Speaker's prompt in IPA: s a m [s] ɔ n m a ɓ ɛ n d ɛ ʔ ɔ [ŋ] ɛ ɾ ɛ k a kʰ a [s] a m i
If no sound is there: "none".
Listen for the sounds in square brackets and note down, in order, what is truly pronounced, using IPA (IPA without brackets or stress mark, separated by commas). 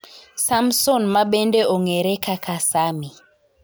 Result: s, ŋ, s